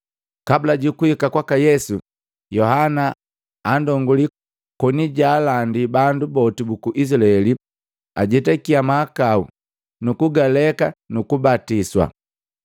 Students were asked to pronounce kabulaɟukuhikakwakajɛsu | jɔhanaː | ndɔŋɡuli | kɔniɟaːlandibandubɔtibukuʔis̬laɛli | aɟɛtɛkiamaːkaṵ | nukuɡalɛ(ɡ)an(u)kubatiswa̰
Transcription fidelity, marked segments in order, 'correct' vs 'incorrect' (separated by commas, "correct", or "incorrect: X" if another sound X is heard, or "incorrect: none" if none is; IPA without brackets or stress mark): incorrect: k, correct